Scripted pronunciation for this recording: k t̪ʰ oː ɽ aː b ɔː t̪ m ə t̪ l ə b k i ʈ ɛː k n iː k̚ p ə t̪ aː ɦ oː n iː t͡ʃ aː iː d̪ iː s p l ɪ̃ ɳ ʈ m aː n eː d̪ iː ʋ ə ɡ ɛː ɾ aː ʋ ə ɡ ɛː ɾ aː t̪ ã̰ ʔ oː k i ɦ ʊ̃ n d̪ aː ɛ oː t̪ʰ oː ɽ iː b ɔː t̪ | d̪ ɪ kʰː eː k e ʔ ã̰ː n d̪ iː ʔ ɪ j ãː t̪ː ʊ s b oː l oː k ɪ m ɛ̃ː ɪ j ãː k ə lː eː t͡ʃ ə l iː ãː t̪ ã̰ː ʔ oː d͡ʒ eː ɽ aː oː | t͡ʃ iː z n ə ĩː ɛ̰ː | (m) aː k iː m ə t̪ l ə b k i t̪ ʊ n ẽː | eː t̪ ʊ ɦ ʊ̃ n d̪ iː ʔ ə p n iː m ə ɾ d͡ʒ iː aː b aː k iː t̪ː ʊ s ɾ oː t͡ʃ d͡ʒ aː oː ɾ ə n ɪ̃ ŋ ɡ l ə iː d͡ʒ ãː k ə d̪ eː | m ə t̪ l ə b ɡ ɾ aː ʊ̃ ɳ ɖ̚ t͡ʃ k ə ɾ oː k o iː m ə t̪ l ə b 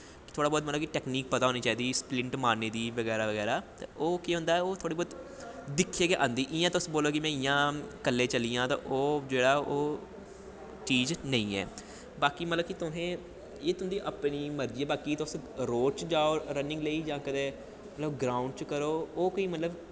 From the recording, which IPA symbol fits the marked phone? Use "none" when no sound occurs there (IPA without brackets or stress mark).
b